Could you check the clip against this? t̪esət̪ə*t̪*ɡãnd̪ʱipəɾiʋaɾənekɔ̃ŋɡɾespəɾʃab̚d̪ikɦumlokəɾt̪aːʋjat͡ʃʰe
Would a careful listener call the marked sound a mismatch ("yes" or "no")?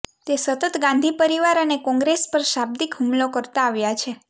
no